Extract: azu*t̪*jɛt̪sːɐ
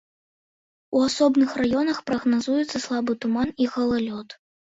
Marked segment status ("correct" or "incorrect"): incorrect